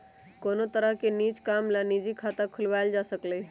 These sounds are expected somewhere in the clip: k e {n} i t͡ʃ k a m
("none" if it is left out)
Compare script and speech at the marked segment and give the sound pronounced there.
n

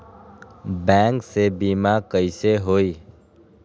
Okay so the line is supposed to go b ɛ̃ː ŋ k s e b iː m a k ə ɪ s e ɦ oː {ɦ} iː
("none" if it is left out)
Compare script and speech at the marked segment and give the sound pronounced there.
none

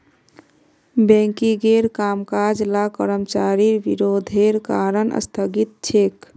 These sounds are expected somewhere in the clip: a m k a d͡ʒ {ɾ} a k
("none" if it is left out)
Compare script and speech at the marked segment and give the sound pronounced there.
l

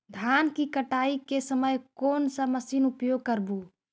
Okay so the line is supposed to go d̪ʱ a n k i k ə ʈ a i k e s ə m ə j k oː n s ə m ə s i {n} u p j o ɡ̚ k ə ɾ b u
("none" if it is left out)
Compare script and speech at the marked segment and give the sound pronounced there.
n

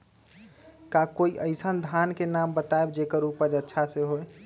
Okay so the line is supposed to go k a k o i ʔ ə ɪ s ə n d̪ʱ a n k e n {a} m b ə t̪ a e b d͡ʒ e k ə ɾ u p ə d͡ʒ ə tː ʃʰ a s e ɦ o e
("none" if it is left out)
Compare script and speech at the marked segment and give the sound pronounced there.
a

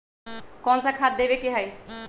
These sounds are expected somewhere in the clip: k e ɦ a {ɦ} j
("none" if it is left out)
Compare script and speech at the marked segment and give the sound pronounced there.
none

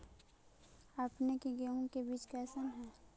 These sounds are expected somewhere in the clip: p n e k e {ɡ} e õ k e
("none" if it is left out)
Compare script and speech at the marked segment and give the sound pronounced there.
ɡ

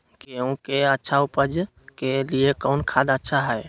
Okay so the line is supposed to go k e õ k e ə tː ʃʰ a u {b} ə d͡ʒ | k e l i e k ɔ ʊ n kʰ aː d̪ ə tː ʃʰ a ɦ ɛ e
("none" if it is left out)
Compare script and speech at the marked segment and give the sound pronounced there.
p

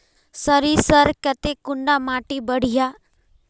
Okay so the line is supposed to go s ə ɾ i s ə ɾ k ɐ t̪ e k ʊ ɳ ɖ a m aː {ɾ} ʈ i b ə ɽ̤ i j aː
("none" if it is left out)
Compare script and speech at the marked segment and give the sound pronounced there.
none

